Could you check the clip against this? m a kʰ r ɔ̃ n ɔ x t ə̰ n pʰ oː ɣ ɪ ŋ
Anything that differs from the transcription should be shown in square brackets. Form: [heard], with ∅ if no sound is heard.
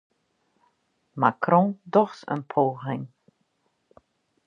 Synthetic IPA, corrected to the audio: m a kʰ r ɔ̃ [d] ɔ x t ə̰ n pʰ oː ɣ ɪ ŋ